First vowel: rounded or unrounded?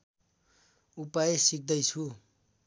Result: rounded